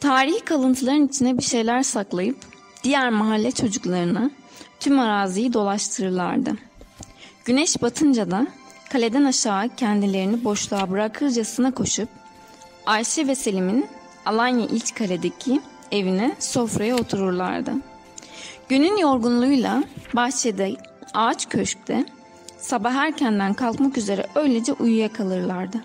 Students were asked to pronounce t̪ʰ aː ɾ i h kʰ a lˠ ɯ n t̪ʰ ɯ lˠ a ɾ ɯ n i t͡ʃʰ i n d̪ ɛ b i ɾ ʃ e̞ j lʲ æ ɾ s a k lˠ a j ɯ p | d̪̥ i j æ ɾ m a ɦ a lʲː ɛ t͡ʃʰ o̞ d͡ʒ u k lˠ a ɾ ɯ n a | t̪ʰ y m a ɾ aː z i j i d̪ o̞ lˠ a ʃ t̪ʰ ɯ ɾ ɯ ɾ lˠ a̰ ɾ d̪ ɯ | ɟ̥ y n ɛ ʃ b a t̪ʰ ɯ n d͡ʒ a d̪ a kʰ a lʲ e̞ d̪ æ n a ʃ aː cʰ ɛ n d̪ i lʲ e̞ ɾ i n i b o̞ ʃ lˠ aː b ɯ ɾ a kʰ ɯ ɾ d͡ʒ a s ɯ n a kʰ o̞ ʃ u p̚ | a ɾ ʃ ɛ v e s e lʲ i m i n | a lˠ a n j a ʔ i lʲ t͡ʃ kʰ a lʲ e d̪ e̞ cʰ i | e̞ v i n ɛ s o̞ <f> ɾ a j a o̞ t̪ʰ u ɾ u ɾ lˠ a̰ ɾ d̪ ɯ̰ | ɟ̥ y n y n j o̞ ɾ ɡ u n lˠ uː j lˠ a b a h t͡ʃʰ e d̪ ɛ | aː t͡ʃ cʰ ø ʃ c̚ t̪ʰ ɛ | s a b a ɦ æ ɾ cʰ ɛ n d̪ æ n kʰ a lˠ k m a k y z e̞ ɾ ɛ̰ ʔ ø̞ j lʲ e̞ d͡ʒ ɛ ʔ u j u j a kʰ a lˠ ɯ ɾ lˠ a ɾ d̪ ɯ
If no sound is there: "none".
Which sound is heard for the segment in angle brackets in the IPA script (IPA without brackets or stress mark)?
f